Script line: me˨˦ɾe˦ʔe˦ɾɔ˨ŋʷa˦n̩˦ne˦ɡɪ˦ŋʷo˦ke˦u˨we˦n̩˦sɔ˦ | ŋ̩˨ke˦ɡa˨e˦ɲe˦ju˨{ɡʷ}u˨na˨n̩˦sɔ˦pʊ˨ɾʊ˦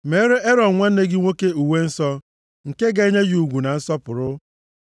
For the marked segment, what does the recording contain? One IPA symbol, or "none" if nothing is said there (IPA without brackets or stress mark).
ɡʷ